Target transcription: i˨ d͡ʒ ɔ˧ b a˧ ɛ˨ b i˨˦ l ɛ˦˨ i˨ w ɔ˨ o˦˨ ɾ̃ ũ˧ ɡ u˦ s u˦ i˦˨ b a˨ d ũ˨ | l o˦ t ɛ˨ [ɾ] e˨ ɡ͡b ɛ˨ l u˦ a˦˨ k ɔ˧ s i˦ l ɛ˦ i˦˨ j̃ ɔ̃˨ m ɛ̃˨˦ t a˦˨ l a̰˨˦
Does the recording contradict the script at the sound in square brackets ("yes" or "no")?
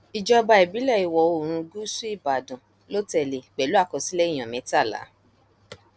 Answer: yes